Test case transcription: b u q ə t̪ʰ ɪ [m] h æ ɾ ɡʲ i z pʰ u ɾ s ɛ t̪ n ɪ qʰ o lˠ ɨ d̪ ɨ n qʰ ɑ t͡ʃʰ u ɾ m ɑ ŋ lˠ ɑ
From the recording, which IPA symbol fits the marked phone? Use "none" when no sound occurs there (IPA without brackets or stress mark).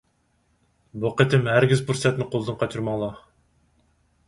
m